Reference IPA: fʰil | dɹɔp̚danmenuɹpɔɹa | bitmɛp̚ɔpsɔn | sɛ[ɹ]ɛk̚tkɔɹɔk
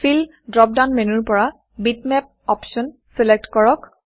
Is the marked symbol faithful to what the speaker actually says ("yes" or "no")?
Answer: no